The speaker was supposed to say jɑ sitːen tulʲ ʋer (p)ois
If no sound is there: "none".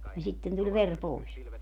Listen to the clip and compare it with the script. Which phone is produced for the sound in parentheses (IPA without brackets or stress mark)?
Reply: p